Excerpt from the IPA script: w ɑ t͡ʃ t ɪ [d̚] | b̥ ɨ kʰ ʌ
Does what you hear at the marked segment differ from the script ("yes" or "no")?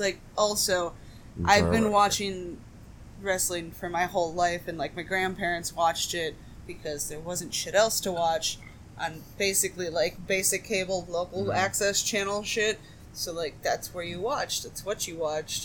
yes